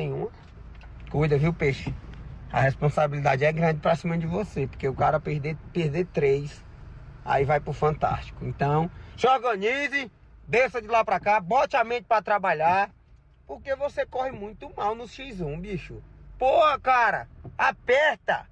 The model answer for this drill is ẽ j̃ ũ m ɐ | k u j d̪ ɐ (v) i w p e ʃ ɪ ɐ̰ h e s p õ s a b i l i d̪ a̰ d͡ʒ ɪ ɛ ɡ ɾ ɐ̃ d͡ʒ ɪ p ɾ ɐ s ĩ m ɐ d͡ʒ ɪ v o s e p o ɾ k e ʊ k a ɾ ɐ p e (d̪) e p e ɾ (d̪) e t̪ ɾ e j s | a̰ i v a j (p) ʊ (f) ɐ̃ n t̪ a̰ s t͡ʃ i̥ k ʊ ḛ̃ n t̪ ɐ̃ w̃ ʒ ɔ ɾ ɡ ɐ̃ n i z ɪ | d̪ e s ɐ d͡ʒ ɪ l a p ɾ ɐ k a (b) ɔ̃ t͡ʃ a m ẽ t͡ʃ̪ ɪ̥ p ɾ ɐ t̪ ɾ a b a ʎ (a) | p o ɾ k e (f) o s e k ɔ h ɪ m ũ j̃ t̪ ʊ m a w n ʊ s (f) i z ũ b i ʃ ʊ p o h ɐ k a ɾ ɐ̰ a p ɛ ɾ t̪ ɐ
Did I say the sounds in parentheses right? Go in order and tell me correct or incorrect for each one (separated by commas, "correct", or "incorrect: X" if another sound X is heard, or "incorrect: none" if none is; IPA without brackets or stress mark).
correct, correct, correct, correct, correct, correct, correct, incorrect: v, incorrect: ʃ